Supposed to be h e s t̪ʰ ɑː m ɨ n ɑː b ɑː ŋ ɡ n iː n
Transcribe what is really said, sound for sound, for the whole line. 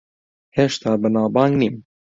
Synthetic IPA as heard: h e ʃ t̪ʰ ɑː b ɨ n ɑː b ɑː ŋ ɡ n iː m